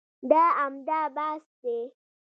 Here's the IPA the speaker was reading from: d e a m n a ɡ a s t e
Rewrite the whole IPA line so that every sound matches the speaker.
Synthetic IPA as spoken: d a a m d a b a s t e